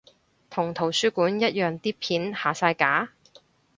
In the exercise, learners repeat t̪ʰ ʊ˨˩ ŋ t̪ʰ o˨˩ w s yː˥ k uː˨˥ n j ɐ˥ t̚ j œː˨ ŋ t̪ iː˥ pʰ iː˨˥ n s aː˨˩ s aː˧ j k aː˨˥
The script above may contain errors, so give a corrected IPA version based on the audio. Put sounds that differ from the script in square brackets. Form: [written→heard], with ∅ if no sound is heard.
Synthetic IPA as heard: t̪ʰ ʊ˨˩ ŋ t̪ʰ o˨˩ w s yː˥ k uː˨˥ n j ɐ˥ t̚ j œː˨ ŋ t̪ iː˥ pʰ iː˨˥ n [s→h] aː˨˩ s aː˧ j k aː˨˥